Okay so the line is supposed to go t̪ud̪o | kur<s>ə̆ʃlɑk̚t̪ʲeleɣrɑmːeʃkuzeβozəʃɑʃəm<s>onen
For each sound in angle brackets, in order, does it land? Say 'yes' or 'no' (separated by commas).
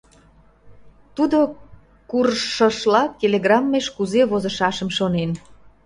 no, no